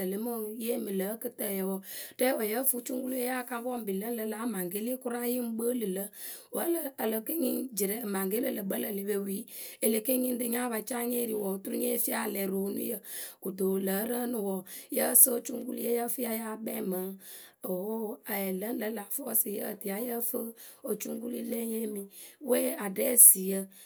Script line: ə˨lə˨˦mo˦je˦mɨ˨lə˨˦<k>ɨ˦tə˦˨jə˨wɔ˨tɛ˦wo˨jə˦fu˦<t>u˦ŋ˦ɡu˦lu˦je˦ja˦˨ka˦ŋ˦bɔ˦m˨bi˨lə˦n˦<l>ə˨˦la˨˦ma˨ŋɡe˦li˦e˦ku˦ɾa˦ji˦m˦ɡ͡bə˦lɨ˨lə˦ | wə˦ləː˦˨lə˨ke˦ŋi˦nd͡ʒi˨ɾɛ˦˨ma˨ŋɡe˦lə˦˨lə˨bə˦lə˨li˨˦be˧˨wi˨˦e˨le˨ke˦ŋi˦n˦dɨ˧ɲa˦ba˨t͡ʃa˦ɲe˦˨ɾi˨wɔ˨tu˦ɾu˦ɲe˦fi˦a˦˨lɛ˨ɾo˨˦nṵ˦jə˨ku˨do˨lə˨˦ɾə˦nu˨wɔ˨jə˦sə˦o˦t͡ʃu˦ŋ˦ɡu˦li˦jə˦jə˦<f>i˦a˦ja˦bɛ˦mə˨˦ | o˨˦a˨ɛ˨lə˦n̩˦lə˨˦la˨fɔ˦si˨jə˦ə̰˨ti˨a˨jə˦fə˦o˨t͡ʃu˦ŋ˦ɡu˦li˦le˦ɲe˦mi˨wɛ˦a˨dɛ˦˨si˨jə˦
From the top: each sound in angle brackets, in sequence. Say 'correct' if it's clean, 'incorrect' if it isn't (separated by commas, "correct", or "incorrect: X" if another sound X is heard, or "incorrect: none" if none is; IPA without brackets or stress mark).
correct, incorrect: t͡ʃ, correct, correct